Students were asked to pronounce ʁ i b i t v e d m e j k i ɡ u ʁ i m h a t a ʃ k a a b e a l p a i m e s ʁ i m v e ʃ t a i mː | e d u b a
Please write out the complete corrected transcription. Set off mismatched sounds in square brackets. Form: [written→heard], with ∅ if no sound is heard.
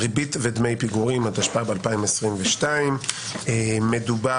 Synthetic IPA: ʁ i b i t v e d m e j [k→p] i ɡ u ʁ i m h a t a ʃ [k→p] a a b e a l p a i m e s ʁ i m v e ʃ t a i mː | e d u b a

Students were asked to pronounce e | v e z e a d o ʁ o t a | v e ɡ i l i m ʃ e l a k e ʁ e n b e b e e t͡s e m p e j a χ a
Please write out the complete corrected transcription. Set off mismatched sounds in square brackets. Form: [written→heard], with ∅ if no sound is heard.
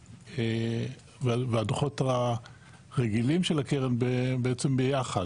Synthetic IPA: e | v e [z→v] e a d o [ʁ→χ] o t a | [v→ʁ] e ɡ i l i m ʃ e l a k e ʁ e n b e b e e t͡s e m [p→b] e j a χ a

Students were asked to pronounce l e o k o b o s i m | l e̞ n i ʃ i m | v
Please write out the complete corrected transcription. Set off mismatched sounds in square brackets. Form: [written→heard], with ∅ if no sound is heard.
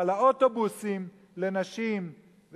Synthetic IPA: l [e→a] o [k→t] o b [o→u] s i m | l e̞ n [i→a] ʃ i m | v

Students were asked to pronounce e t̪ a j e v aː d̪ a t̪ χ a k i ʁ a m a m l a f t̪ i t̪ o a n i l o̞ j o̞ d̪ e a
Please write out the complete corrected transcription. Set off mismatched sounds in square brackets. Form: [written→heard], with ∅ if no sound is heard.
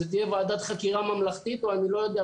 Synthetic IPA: e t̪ [a→i] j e v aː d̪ a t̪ χ a k i ʁ a m a m l a [f→χ] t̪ i t̪ o a n i l o̞ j o̞ d̪ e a

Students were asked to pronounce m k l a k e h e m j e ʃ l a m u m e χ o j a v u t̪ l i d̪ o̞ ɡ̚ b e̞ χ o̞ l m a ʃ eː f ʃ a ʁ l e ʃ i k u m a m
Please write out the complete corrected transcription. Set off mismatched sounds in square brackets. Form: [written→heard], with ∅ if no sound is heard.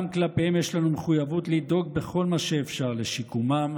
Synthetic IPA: m k l a [k→p] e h e m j e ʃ l a [m→n] u m e χ [o→u] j a v u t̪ l i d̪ o̞ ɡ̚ b e̞ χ o̞ l m a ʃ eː f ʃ a ʁ l e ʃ i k u m a m

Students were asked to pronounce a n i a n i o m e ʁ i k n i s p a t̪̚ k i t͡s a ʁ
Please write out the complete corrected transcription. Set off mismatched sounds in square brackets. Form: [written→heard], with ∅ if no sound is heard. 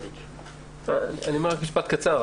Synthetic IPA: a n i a n i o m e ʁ [i→a] k [n→m] i [s→ʃ] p a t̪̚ k [i→a] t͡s a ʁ

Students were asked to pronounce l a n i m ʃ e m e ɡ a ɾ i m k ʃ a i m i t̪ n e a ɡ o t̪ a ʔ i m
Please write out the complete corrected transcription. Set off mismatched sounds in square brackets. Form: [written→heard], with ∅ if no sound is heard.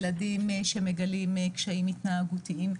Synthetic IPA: l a [n→d] i m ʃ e m e ɡ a [ɾ→l] i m k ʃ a i m i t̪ n [e→a] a ɡ [o→u] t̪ [a→i] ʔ i m

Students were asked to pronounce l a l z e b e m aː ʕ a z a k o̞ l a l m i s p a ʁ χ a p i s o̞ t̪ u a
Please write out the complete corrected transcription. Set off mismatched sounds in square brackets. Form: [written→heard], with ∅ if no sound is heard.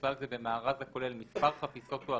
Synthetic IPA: l a l z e b e m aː [ʕ→ʁ] a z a k o̞ l [a→e] l m i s p a ʁ χ a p i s o̞ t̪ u a

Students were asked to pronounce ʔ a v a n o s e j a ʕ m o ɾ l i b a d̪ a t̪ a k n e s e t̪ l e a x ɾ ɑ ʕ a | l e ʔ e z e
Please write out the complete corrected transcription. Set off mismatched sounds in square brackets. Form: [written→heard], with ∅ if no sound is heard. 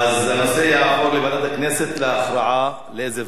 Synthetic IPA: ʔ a [v→z] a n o s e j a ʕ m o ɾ l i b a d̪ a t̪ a k n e s e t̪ l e a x ɾ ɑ ʕ a | l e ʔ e z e

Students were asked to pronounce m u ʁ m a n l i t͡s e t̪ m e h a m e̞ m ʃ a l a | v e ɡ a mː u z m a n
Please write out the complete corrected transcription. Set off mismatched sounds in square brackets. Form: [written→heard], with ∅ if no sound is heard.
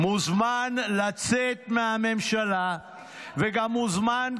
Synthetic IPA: m u [ʁ→z] m a n l [i→a] t͡s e t̪ m e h a m e̞ m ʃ a l a | v e ɡ a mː u z m a n

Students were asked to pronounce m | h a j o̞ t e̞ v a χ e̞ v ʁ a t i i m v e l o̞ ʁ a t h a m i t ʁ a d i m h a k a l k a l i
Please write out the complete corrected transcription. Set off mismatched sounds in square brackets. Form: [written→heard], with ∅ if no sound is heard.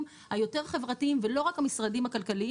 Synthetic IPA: m | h a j o̞ t e̞ [v→ʁ] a χ e̞ v ʁ a t i i m v e l o̞ ʁ a [t→k] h a m i [t→s] ʁ a d i m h a k a l k a l i

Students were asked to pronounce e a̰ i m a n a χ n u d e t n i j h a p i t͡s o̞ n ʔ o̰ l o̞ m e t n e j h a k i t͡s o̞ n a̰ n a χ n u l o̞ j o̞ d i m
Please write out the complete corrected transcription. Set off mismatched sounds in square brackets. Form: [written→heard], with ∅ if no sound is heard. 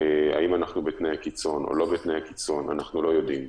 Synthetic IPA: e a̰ i m a n a χ n u [d→b] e t n [i→e] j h a [p→k] i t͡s o̞ n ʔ o̰ l o̞ [m→b] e t n e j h a k i t͡s o̞ n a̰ n a χ n u l o̞ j o̞ d i m

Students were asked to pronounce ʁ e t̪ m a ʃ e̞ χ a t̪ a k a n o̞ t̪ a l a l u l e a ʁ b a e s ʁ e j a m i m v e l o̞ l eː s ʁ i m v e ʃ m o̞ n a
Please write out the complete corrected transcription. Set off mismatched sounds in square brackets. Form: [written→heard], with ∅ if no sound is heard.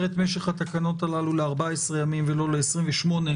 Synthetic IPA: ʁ e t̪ m [a→e] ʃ e̞ χ a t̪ a k a n o̞ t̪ a l a l u l e a ʁ b a e s ʁ e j a m i m v e l o̞ l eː s ʁ i m v e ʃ m o̞ n [a→e]

